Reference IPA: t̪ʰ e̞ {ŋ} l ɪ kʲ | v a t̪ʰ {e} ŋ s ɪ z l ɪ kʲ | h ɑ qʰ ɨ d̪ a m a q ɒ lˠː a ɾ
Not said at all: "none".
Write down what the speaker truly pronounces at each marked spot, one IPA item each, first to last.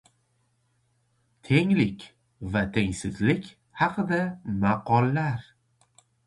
ŋ, e

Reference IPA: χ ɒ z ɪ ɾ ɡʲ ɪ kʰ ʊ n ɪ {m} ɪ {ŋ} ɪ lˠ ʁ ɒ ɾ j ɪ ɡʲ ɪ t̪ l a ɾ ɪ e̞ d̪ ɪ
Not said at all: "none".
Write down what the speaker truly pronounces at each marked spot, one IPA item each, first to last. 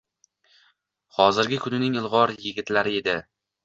n, ŋ

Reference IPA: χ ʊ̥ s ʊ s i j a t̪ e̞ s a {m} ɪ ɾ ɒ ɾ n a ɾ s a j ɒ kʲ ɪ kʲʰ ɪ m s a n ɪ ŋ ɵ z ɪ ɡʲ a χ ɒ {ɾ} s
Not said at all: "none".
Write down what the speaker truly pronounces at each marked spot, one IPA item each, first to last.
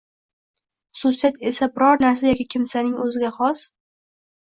b, none

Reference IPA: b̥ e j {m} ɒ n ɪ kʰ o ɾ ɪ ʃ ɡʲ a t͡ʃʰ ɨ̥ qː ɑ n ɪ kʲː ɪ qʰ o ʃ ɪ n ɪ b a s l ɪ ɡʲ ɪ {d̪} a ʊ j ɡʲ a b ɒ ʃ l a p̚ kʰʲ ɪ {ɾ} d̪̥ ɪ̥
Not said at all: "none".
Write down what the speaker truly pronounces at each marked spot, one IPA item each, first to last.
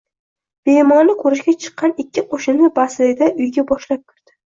m, d̪, ɾ

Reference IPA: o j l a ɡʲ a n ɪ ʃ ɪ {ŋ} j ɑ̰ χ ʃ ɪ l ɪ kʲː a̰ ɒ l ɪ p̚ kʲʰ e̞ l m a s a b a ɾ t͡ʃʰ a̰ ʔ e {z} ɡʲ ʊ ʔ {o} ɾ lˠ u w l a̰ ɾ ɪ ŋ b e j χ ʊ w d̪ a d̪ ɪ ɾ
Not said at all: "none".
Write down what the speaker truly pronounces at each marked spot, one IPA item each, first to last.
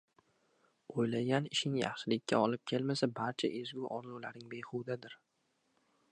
ŋ, z, ɒ

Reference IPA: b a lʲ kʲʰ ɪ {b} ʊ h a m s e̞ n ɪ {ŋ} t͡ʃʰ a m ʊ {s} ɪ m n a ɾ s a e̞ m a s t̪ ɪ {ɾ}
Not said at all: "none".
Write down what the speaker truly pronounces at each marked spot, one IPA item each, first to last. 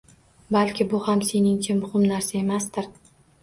b, ŋ, h, ɾ

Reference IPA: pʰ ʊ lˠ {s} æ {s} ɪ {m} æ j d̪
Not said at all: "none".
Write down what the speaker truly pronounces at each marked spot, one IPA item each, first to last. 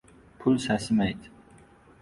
s, s, m

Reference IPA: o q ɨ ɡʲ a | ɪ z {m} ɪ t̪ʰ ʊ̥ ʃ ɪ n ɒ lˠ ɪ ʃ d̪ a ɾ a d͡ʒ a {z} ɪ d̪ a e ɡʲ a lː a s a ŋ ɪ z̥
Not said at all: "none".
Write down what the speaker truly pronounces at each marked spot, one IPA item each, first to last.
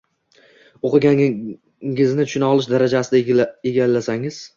n, s

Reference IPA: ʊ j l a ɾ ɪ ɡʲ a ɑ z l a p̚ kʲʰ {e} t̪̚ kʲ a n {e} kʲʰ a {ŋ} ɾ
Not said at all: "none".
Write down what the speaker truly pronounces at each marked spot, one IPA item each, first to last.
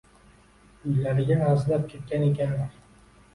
e, e, n

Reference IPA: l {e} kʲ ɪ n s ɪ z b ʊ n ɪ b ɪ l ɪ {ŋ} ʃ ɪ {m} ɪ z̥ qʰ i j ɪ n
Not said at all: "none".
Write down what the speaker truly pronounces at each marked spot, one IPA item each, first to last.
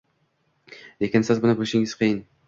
e, none, ŋ

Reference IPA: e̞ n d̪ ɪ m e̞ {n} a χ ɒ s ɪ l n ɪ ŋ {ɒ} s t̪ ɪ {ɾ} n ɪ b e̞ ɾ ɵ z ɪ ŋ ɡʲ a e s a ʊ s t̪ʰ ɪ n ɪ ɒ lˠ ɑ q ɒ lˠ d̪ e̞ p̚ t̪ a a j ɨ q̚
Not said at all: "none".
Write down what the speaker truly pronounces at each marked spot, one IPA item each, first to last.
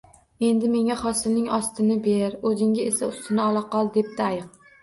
ŋ, ɒ, none

